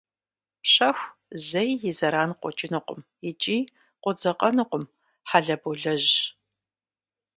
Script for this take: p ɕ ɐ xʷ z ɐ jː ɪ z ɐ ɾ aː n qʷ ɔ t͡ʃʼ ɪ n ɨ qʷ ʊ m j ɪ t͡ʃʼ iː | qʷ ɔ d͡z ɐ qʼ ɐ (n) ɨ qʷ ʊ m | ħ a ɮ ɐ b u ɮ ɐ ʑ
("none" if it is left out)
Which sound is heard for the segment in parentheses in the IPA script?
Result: n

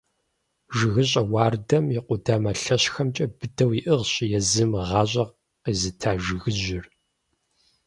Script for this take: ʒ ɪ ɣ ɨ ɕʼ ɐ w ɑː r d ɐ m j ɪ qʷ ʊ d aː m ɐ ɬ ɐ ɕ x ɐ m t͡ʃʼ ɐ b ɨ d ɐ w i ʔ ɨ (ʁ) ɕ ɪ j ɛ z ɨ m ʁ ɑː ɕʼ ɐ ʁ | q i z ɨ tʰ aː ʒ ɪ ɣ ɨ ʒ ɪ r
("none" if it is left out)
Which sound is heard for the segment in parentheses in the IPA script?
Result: ʁ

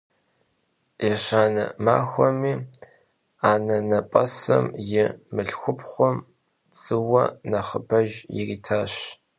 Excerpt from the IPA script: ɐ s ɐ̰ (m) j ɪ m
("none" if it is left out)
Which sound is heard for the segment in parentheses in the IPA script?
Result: m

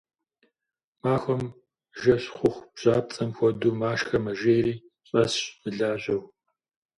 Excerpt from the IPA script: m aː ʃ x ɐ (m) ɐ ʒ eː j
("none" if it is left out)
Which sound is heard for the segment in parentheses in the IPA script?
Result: m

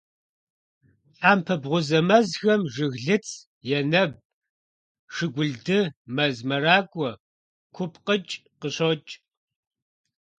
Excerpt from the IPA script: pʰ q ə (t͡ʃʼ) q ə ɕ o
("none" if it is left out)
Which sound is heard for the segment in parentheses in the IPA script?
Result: t͡ʃʼ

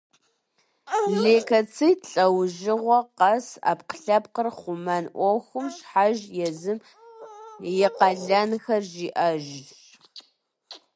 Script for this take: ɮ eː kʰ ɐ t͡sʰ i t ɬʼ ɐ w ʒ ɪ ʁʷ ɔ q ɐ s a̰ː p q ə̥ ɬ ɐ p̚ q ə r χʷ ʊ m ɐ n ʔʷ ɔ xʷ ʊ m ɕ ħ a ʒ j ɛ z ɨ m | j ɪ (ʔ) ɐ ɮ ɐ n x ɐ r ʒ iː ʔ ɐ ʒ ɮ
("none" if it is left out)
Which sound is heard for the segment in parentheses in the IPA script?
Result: q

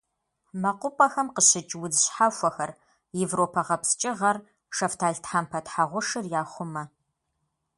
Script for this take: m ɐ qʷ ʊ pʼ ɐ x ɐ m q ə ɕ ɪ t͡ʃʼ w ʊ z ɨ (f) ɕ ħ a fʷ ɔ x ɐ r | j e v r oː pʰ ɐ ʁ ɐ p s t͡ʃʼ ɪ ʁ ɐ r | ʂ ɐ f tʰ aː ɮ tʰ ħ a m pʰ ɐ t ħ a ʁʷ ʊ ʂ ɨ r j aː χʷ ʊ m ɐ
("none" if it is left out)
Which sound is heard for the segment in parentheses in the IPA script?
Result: none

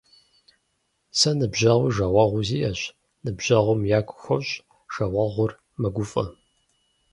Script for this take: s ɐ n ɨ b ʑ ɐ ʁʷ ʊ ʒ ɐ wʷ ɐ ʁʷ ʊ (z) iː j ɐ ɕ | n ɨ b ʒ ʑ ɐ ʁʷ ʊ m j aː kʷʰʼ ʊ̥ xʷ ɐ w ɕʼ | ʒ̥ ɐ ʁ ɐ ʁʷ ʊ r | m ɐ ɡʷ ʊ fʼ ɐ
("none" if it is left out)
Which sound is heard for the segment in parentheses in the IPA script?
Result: z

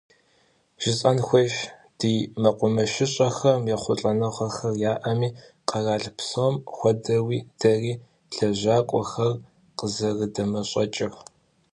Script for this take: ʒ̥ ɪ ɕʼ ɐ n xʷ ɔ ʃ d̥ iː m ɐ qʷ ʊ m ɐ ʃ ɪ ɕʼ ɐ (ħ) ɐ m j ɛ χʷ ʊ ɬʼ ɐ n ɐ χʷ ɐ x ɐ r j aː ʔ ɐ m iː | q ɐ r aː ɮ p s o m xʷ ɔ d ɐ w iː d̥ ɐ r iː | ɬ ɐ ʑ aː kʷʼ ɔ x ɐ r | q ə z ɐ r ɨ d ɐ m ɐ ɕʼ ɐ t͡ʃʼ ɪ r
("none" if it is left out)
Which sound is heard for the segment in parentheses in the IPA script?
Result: x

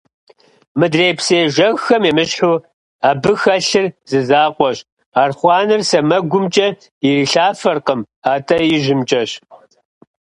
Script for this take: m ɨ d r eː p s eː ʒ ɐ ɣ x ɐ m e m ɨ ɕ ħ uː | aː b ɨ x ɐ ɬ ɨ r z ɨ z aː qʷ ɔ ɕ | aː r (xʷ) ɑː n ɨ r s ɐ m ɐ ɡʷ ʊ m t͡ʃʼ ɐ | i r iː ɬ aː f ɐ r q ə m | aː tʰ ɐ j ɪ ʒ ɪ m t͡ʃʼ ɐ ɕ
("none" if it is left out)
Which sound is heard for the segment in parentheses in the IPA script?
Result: χʷ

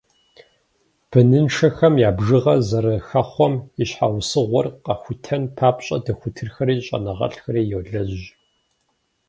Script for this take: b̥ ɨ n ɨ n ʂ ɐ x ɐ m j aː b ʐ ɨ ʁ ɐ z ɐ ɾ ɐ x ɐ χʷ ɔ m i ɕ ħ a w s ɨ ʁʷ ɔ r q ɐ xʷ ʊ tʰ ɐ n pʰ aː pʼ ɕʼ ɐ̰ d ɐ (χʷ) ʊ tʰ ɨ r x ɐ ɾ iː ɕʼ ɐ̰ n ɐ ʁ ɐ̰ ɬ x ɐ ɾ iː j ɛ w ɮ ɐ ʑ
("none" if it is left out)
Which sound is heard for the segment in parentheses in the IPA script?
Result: xʷ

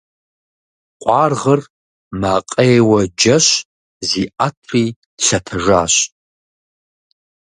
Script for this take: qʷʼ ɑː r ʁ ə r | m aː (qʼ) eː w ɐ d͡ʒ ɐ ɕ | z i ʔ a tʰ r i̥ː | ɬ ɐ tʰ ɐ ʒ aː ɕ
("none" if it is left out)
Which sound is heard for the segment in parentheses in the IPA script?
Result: qʼ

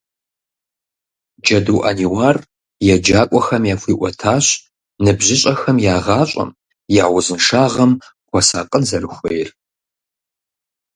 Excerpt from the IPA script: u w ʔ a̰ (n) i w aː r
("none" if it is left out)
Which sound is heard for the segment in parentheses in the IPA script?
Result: n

